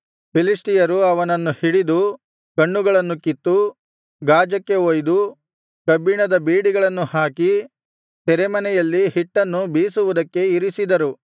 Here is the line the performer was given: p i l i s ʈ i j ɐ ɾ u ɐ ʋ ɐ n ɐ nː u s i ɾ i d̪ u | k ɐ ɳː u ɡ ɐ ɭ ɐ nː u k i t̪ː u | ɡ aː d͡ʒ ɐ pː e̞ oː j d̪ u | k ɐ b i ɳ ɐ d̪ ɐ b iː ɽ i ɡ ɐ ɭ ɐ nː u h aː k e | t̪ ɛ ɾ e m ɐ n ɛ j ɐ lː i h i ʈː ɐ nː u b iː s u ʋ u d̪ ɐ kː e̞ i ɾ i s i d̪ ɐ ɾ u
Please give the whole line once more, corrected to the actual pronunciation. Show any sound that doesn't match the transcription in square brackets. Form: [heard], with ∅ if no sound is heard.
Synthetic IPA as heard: p i l i s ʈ i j ɐ ɾ u ɐ ʋ ɐ n ɐ nː u [h] i [ɽ] i d̪ u | k ɐ ɳː u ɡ ɐ ɭ ɐ nː u k i t̪ː u | ɡ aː d͡ʒ ɐ [kː] e̞ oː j d̪ u | k ɐ b i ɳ ɐ d̪ ɐ b iː ɽ i ɡ ɐ ɭ ɐ nː u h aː k [i] | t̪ ɛ ɾ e m ɐ n ɛ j ɐ lː i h i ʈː ɐ nː u b iː s u ʋ u d̪ ɐ kː e̞ i ɾ i s i d̪ ɐ ɾ u